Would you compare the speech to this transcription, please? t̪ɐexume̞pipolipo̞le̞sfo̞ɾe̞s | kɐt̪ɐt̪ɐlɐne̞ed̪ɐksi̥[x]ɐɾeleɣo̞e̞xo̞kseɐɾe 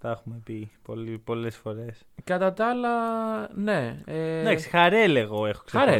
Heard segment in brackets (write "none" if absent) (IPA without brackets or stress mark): x